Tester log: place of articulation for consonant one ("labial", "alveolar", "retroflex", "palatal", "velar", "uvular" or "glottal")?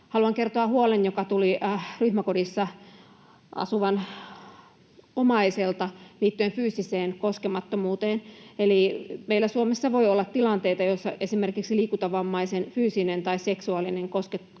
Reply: glottal